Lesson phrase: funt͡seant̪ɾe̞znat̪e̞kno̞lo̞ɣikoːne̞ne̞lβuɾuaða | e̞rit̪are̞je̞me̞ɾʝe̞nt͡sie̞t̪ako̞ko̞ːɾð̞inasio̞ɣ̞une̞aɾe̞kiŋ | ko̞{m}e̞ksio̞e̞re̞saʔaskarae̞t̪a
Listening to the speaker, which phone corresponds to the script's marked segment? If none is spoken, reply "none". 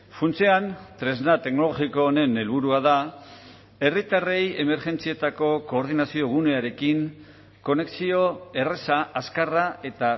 n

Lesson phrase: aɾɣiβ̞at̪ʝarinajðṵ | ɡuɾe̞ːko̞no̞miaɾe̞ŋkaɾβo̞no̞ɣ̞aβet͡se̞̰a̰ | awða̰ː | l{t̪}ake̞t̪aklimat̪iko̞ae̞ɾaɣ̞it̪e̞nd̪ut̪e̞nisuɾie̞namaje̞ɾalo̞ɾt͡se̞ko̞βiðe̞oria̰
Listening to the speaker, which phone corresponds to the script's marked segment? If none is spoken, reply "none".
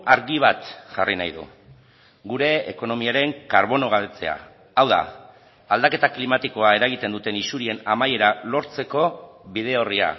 d̪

